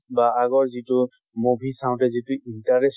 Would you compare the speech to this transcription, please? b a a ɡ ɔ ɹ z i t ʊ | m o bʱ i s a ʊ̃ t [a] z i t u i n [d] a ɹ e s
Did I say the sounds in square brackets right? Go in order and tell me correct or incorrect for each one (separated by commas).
incorrect, incorrect